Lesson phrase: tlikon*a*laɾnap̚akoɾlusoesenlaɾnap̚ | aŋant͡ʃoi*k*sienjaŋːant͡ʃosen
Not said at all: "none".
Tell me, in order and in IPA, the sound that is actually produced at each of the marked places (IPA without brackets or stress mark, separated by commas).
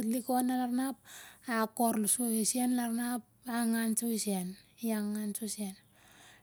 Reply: a, none